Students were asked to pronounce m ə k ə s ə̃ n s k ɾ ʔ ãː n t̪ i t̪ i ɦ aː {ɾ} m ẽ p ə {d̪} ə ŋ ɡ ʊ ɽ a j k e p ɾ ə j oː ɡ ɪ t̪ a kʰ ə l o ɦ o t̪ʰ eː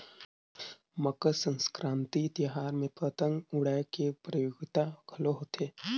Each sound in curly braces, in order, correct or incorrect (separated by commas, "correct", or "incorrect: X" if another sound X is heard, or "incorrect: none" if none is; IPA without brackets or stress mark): correct, incorrect: t̪